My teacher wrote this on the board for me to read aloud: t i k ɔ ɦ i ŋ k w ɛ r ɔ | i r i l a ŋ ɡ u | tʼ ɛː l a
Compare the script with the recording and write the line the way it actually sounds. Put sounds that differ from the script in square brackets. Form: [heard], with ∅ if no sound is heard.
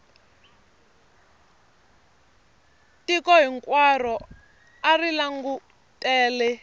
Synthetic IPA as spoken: t i k ɔ ɦ i ŋ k w [a] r ɔ | [a] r i l a ŋ ɡ u | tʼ ɛː l [ɛ]